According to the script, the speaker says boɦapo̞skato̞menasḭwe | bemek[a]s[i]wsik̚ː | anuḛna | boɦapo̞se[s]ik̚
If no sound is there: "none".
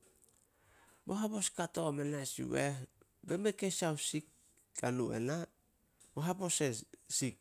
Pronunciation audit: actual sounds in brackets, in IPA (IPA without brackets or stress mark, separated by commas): e, a, s